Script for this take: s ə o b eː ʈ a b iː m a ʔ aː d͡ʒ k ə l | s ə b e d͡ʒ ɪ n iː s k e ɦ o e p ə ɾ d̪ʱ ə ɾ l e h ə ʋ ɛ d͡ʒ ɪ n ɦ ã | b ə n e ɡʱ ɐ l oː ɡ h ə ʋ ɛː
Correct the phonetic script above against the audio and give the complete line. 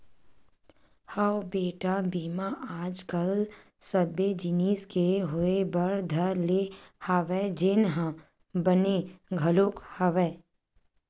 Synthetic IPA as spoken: h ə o b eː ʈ a b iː m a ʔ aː d͡ʒ k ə l | s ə b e d͡ʒ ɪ n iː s k e ɦ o e b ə ɾ d̪ʱ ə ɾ l e h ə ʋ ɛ d͡ʒ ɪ n ɦ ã | b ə n e ɡʱ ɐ l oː k h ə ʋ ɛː